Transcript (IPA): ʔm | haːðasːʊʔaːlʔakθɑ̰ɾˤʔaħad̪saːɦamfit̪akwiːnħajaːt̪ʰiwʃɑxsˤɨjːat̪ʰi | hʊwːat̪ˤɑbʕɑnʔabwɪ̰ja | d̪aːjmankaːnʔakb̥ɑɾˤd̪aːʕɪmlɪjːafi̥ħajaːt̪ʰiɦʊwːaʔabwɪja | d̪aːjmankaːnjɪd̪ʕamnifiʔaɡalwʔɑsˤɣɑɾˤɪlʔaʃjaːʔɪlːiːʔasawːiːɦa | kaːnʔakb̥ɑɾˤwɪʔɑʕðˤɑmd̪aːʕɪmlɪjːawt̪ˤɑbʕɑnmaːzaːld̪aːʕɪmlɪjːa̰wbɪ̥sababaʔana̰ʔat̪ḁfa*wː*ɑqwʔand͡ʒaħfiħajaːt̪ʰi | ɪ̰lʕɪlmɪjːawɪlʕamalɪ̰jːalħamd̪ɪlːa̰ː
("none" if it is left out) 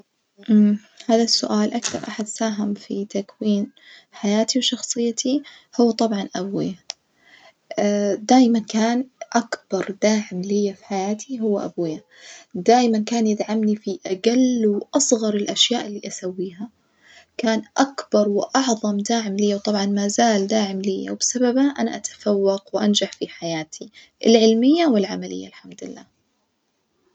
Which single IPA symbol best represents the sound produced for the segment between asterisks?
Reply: wː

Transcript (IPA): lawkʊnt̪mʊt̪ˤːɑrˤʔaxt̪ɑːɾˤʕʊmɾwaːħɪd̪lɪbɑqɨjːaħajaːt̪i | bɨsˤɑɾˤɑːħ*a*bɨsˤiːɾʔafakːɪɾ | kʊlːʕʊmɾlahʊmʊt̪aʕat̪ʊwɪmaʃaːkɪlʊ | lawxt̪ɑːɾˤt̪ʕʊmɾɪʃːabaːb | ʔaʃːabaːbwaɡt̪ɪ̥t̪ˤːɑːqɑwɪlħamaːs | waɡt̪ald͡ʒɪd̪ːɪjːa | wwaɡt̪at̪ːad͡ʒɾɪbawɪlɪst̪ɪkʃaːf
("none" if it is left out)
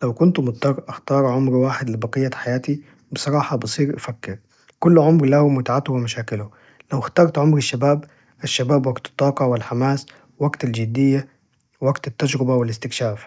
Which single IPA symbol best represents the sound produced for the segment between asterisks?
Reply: ɑ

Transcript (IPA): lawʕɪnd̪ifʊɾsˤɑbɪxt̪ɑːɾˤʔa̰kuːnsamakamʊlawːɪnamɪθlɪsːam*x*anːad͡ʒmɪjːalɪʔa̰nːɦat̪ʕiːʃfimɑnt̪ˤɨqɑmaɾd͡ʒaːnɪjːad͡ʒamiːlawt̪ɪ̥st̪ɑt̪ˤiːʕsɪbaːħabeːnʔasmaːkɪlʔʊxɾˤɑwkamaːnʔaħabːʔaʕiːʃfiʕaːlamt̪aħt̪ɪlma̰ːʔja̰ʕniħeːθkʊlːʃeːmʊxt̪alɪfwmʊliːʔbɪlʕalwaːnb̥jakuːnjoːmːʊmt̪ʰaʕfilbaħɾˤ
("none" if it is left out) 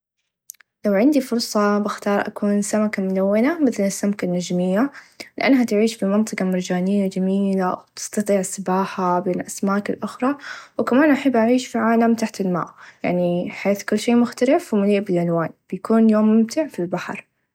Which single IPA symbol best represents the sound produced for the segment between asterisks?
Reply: k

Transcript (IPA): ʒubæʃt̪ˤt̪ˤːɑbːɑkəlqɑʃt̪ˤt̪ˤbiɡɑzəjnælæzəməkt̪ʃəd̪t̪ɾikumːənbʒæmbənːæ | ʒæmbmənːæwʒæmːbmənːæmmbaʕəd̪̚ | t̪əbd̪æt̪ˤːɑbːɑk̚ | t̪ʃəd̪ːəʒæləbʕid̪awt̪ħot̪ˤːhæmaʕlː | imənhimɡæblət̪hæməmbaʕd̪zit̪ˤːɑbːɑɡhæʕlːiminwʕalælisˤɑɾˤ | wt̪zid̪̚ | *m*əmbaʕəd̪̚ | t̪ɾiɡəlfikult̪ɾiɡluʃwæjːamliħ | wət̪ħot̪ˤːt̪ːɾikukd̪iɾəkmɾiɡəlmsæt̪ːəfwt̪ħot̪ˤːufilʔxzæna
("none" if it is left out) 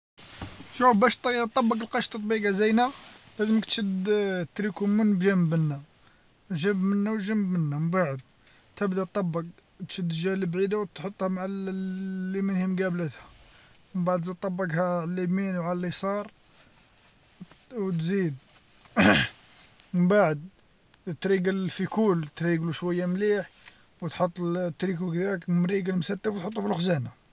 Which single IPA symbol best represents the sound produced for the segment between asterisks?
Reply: m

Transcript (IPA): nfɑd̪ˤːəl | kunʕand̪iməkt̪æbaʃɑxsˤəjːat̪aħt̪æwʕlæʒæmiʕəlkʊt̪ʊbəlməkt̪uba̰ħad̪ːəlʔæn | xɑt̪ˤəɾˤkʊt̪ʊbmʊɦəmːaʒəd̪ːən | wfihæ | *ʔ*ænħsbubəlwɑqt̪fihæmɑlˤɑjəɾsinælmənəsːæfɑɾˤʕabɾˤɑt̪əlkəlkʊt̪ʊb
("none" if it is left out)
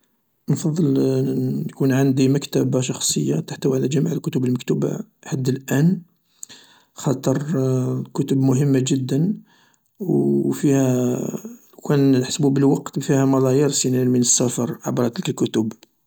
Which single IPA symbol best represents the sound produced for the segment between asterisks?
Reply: k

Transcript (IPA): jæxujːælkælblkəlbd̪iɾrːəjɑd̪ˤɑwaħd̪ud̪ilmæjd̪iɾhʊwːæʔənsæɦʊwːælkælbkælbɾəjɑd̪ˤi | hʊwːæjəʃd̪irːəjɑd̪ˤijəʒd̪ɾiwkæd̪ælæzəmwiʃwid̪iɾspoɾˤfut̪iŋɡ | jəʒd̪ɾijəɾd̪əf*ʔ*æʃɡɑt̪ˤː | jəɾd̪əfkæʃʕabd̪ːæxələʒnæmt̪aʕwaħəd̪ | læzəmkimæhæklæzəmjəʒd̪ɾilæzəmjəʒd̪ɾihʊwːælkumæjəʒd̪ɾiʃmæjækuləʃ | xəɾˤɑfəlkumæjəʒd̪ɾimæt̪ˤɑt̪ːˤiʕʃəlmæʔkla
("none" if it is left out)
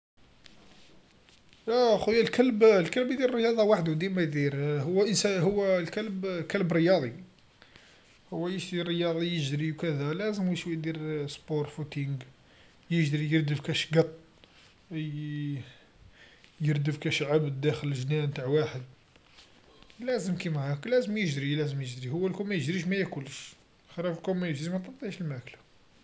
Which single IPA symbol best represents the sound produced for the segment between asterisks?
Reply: k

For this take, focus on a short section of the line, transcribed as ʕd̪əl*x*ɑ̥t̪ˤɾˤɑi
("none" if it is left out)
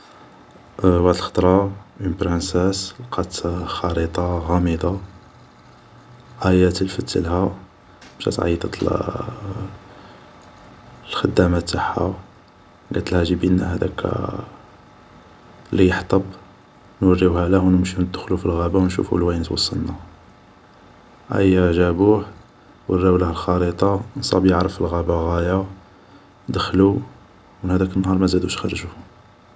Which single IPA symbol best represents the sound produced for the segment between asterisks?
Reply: x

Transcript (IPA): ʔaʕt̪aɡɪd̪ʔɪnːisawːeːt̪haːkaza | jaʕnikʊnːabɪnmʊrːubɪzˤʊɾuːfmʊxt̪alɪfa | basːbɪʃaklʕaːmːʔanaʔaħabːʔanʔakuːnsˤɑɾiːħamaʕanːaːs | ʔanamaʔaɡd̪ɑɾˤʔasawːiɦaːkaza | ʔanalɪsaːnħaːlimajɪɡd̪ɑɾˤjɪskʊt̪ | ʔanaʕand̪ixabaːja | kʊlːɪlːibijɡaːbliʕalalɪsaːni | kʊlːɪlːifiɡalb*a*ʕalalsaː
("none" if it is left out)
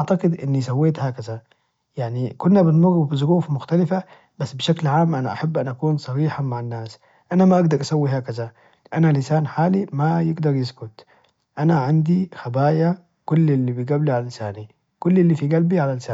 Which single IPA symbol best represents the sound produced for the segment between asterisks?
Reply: i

